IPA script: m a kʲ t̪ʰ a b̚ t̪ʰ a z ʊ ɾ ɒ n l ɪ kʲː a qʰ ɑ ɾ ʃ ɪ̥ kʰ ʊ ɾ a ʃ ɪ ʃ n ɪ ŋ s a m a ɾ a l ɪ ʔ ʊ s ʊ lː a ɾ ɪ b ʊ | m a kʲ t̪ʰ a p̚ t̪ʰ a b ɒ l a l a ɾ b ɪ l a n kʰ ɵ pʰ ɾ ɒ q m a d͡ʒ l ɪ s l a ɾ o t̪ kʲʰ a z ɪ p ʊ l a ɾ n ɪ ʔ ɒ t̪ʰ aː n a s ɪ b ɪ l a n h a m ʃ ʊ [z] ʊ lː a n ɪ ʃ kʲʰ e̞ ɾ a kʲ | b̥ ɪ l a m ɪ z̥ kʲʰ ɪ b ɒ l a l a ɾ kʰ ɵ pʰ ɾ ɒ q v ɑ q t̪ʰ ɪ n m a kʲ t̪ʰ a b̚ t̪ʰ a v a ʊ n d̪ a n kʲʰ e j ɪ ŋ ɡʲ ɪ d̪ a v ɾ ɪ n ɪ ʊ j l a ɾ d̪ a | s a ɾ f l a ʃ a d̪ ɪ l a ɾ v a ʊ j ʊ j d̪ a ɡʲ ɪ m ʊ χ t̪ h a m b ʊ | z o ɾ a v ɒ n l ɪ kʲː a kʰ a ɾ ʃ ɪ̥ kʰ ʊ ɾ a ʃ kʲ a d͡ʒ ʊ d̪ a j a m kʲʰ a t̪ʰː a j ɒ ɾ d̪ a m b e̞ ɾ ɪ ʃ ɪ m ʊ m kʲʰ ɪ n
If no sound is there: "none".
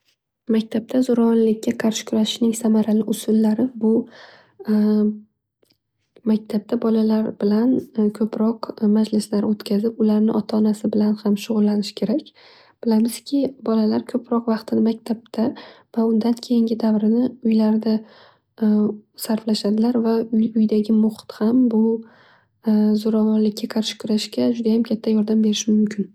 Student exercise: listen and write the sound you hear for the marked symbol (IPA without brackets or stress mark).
ʁ